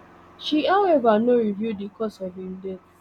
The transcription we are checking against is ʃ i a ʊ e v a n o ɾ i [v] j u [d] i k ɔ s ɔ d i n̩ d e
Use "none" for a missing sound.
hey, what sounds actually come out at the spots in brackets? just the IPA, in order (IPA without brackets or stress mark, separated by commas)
v, d